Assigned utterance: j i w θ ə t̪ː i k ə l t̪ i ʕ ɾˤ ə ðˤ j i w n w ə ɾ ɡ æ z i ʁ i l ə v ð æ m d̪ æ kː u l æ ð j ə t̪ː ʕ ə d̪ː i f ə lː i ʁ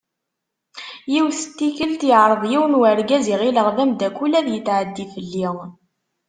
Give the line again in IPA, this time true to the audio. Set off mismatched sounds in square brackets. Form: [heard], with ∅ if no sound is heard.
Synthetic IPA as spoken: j i w θ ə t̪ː i k ə l t̪ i ʕ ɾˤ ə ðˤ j i w n w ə ɾ ɡ æ z i ʁ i l ə [ʁ] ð æ m d̪ æ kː u l æ ð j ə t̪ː ʕ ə d̪ː i f ə lː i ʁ

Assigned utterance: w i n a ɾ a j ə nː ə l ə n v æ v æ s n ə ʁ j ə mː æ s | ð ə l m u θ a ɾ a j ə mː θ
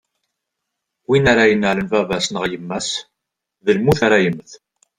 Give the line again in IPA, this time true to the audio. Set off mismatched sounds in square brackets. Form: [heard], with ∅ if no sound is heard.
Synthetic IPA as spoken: w i n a ɾ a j ə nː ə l ə n v æ v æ s n ə ʁ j ə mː æ s | ð ə l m u θ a ɾ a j ə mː θ

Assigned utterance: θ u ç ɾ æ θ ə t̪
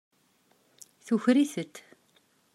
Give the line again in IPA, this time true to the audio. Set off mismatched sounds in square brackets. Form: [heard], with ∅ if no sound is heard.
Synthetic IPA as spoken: θ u ç ɾ [i] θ ə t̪

